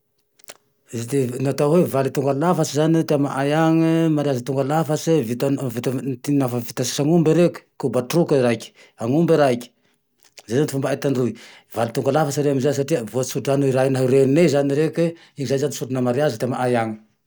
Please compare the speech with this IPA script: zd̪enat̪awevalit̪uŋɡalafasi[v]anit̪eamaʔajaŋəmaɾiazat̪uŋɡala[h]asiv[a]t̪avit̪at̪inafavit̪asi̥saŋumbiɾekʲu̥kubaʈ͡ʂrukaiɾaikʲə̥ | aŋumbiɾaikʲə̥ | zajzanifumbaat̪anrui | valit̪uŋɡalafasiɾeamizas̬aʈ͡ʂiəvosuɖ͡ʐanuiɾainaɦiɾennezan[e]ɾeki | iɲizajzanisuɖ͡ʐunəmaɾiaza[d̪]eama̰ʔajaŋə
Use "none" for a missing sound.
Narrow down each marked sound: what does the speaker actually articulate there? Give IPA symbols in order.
z, f, i, i, t̪

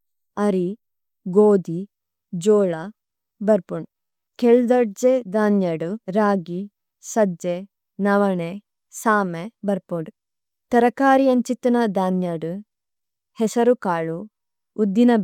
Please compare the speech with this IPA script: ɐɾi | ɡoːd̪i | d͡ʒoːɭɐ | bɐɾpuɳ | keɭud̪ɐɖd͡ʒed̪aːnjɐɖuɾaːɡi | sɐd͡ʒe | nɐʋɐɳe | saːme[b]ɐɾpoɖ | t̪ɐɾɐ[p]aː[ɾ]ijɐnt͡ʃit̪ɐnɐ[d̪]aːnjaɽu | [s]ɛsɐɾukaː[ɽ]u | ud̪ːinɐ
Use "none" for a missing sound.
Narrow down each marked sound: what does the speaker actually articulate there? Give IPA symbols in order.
b, k, ɾ, d̪, h, ɭ

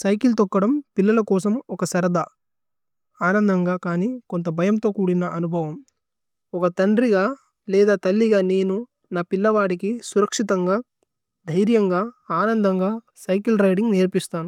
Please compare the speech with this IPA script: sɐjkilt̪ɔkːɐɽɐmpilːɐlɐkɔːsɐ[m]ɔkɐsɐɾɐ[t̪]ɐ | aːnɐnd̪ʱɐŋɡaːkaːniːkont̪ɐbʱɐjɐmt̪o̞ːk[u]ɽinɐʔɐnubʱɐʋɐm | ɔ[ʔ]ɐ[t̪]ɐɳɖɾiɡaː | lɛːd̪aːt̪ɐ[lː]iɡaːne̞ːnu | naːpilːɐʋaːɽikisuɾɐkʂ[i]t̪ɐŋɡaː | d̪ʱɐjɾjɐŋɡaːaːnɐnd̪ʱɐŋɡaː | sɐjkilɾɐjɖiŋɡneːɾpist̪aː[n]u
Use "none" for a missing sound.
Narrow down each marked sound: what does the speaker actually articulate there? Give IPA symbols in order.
m, d̪, uː, k, t̪, lː, i, n

